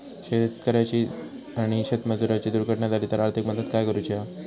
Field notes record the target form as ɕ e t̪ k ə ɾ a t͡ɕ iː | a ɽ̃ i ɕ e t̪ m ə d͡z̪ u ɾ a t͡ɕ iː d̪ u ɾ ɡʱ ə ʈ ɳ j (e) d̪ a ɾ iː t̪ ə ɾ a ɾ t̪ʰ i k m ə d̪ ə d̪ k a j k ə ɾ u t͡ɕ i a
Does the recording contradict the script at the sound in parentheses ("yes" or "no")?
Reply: yes